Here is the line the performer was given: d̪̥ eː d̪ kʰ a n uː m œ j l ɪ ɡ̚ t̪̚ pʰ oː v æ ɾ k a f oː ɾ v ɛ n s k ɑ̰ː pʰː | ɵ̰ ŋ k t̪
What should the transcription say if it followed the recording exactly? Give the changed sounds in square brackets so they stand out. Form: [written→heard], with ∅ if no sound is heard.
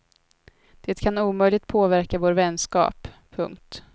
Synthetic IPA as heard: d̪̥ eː [d̪→t̪] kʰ a n uː m œ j l ɪ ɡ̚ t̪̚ pʰ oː v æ ɾ k a [f→v] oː ɾ v ɛ n s k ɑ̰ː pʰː | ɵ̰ ŋ k t̪